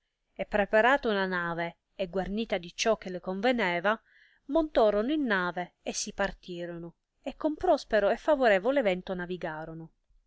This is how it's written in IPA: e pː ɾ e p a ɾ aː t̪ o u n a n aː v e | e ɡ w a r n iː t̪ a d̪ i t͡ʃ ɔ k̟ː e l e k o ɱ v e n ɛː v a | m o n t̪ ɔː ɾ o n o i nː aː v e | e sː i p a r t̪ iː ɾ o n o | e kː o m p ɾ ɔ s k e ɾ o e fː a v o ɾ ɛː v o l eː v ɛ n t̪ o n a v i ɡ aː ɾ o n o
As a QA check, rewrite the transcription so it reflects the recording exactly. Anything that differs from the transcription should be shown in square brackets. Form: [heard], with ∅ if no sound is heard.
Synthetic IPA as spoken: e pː ɾ e p a ɾ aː t̪ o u n a n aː v e | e ɡ w a r n iː t̪ a d̪ i t͡ʃ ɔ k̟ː e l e k o ɱ v e n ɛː v a | m o n t̪ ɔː ɾ o n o i nː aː v e | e sː i p a r t̪ iː ɾ o n o | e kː o m p ɾ ɔ s [p] e ɾ o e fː a v o ɾ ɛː v o l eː v ɛ n t̪ o n a v i ɡ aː ɾ o n o

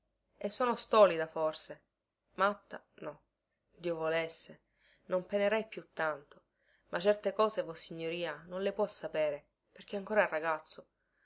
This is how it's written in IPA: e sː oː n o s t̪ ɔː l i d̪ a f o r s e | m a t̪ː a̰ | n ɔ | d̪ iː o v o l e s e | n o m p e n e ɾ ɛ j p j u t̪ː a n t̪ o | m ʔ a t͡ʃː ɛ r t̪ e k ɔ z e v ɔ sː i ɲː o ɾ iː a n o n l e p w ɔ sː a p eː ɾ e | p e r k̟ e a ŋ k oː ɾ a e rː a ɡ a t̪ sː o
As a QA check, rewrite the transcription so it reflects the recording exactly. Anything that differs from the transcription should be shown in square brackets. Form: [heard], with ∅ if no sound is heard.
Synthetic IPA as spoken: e sː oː n o s t̪ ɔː l i d̪ a f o r s e | m a t̪ː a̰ | n ɔ | d̪ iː o v o l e [sː] e | n o m p e n e ɾ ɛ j p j u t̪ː a n t̪ o | m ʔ a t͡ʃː ɛ r t̪ e k [ɔː] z e v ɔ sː i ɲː o ɾ iː a n o n l e p w ɔ sː a p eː ɾ e | p e r k̟ e a ŋ k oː ɾ a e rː a ɡ a t̪ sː o

